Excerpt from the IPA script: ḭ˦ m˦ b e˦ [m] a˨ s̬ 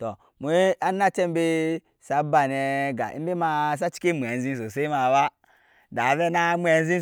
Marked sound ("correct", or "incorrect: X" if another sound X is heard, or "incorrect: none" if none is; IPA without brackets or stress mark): correct